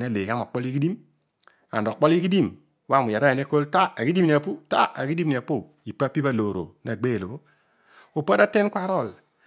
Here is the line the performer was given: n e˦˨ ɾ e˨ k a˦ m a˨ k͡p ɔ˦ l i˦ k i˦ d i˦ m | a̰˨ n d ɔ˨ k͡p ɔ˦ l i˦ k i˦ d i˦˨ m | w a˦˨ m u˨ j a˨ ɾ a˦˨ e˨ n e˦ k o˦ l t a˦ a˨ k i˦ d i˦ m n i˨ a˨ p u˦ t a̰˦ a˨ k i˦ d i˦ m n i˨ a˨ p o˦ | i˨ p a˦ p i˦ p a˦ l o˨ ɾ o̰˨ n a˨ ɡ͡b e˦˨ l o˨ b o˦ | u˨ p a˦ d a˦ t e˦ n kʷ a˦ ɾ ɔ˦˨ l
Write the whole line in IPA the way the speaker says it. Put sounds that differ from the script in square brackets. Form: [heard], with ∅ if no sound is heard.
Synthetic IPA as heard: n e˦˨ [l] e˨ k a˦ m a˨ k͡p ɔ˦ l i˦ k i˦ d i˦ m | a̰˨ n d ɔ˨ k͡p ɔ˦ l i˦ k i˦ d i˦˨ m | w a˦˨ m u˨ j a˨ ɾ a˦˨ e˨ n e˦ k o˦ l t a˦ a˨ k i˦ d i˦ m n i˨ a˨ p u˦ t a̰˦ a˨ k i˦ d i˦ m n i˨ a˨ p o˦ | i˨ p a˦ p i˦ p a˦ l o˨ ɾ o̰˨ n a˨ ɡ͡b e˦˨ l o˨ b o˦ | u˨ p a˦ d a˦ t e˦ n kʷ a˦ ɾ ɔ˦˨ l